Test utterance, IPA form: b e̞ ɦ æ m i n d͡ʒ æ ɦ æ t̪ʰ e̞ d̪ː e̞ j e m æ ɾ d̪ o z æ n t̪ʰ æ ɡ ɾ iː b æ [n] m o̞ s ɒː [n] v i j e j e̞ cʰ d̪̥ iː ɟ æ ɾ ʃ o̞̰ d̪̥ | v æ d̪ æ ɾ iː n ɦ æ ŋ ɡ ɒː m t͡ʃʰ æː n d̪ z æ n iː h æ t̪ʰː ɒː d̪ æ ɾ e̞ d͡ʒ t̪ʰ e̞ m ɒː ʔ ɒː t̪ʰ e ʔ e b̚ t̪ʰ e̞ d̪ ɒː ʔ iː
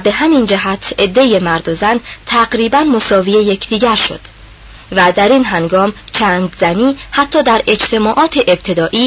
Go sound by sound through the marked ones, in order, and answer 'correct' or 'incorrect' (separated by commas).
correct, incorrect